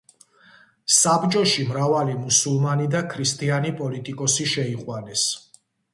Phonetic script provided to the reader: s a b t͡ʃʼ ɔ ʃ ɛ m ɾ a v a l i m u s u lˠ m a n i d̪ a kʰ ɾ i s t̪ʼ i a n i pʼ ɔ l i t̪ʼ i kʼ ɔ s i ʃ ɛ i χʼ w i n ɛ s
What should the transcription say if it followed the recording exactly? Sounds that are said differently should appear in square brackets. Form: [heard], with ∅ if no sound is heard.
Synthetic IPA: s a b t͡ʃʼ ɔ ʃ [i] m ɾ a v a l i m u s u lˠ m a n i d̪ a kʰ ɾ i s t̪ʼ i a n i pʼ ɔ l i t̪ʼ i kʼ ɔ s i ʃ ɛ i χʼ w [a] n ɛ s